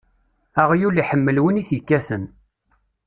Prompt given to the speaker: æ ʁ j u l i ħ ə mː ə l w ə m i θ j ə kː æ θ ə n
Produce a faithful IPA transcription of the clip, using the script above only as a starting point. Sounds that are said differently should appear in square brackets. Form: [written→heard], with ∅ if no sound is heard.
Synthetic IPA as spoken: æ ʁ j u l i ħ ə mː ə l w ə [m→n] i θ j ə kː æ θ ə n